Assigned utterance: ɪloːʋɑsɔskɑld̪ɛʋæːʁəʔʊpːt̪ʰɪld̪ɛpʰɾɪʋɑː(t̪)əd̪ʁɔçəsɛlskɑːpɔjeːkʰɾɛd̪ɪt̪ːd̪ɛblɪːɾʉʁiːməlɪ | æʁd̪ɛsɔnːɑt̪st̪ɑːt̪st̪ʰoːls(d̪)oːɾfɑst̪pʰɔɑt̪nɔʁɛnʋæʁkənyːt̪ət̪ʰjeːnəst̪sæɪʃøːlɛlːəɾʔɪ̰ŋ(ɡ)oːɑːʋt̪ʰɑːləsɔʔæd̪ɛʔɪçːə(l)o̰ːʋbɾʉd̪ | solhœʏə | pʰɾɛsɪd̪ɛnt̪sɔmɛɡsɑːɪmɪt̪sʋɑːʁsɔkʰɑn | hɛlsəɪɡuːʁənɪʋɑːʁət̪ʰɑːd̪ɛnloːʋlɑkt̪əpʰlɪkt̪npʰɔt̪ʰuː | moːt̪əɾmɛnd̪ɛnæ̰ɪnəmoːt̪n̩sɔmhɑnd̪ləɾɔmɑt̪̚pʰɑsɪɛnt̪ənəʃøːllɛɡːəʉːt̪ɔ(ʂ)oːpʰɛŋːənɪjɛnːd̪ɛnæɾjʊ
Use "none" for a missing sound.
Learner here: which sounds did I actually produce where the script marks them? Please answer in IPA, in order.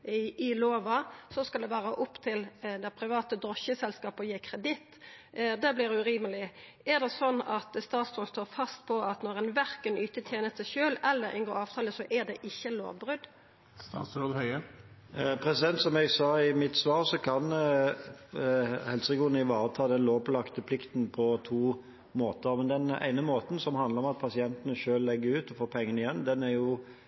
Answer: t̪, t̪, ɡ, l, f

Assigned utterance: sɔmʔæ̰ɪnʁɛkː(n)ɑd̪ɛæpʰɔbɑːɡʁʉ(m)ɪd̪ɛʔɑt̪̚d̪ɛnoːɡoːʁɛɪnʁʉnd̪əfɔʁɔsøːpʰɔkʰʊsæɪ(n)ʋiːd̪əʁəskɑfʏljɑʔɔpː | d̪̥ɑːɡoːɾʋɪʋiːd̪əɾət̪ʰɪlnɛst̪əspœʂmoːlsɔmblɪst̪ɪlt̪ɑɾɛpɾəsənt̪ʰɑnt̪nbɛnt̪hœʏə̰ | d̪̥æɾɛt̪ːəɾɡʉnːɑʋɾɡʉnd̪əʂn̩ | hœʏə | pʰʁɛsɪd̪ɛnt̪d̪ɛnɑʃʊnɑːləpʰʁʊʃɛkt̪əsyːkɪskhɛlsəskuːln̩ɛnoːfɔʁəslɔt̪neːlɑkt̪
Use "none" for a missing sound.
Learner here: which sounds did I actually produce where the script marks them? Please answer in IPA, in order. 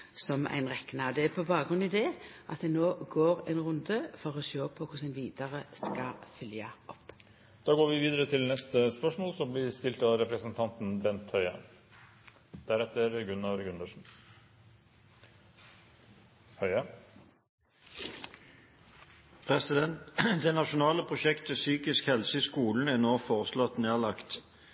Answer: n, n, n

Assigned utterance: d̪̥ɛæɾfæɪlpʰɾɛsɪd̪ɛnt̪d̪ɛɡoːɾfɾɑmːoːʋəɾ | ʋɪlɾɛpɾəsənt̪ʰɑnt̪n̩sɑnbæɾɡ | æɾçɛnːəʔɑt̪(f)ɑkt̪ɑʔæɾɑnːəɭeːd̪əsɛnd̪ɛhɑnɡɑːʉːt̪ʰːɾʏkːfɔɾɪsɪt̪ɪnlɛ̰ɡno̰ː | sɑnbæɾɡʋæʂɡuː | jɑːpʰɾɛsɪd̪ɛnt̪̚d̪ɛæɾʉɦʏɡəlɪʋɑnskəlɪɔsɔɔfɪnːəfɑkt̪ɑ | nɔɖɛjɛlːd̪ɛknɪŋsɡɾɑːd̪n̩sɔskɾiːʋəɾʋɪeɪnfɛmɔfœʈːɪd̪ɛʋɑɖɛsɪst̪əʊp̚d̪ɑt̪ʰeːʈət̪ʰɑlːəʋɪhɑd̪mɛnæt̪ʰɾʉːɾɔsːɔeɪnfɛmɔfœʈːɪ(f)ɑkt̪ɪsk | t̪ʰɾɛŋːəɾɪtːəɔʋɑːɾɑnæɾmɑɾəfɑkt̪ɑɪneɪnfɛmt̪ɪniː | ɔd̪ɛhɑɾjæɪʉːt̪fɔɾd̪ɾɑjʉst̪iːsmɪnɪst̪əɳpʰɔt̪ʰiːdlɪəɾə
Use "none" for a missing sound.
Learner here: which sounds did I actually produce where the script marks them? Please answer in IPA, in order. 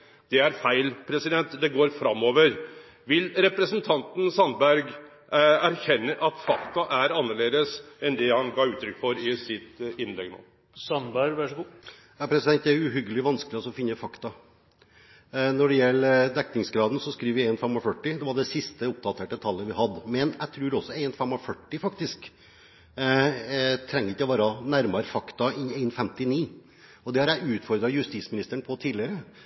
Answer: f, f

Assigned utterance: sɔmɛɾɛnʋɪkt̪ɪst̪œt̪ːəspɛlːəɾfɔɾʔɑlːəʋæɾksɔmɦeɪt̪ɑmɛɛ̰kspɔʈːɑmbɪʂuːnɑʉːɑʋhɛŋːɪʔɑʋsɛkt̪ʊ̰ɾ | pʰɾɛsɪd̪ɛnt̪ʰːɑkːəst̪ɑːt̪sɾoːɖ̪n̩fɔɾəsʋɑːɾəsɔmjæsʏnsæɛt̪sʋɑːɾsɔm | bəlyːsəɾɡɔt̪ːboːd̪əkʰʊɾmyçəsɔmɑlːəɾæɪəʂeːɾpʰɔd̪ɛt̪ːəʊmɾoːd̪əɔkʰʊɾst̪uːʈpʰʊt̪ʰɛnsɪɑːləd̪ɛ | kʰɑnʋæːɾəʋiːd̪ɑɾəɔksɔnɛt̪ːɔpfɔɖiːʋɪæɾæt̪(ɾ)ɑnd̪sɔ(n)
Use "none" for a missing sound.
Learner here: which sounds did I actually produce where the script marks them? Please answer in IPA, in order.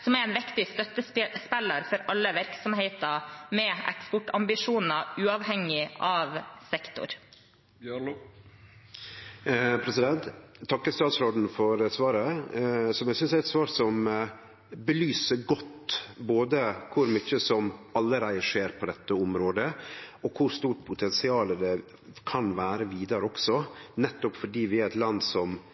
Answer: l, m

